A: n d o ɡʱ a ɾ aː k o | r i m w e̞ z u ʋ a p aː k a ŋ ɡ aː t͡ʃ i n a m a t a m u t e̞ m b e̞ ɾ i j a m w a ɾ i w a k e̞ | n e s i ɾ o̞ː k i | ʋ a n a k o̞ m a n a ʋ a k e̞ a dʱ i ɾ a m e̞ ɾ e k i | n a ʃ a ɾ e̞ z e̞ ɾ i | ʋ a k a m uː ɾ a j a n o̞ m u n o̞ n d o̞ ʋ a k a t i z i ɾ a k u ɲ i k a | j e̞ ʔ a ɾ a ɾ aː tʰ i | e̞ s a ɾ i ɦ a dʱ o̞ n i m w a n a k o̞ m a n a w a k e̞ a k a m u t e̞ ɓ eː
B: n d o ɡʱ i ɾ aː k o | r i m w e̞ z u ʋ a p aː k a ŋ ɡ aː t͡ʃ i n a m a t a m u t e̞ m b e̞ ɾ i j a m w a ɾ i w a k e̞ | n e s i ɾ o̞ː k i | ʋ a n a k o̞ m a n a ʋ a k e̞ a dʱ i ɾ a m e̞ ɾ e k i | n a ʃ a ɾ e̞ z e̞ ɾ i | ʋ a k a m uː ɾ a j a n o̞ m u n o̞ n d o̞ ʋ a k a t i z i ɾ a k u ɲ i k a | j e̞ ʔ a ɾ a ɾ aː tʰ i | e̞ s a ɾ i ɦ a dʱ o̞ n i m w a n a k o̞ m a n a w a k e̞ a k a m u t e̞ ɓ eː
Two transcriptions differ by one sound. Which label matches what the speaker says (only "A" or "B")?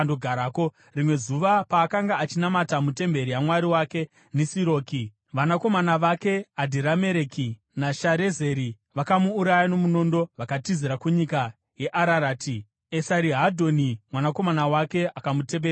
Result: A